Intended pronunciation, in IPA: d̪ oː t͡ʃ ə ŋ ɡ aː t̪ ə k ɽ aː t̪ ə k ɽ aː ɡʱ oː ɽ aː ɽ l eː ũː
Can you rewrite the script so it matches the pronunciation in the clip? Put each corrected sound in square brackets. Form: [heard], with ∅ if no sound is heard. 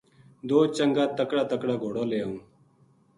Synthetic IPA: d̪ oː t͡ʃ ə ŋ ɡ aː t̪ ə k ɽ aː t̪ ə k ɽ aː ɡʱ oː ɽ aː [∅] l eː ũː